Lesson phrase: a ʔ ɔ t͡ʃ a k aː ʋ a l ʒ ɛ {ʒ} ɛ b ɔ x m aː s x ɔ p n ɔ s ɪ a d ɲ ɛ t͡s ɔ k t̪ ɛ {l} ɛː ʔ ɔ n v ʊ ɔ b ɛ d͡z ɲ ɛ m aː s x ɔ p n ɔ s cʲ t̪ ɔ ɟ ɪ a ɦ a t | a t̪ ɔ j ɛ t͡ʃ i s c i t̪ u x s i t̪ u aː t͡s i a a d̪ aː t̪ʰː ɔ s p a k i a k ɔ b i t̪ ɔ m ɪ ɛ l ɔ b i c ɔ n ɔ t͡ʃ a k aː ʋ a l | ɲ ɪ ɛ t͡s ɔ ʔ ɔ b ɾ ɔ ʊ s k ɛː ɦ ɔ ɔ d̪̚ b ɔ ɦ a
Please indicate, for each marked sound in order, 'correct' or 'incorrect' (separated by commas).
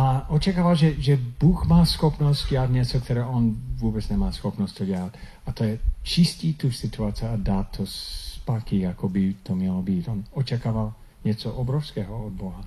correct, incorrect